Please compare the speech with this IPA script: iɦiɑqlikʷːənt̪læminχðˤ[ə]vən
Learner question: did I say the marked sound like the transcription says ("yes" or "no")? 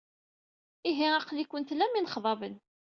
no